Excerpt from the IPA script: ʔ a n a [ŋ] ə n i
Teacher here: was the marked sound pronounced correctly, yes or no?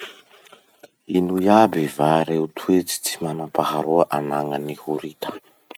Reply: yes